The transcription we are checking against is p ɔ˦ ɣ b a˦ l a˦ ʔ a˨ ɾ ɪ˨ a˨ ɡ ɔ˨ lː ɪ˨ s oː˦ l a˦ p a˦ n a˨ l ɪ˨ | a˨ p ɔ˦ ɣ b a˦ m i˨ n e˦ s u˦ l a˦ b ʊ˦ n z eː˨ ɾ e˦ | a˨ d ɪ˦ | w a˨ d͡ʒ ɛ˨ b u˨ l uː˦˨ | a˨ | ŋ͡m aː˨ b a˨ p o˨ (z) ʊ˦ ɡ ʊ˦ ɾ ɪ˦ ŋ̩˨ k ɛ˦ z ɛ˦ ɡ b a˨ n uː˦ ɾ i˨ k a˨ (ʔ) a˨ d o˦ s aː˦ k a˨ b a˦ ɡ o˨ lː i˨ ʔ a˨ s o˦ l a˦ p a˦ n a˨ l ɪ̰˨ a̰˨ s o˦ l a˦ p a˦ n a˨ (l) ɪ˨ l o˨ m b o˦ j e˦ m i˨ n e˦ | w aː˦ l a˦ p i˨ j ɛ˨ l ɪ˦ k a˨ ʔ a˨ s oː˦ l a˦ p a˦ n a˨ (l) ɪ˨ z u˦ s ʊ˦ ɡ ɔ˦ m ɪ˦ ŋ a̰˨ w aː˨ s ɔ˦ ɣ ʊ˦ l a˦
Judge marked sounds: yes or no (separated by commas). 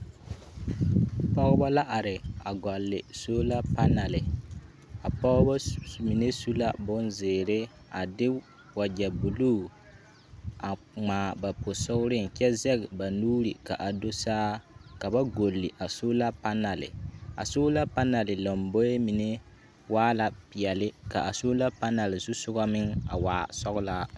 no, yes, yes, yes